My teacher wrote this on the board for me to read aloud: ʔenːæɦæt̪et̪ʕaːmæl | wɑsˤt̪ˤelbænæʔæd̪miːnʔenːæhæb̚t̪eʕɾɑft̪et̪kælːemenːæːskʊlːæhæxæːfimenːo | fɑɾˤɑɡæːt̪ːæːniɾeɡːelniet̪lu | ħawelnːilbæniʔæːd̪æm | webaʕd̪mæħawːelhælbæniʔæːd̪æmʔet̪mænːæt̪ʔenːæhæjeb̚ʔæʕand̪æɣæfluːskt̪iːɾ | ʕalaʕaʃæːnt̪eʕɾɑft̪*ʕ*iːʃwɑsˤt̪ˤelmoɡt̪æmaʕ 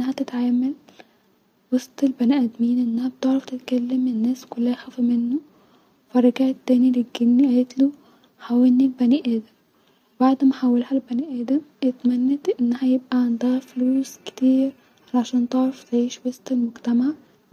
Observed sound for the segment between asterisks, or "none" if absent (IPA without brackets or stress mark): ʕ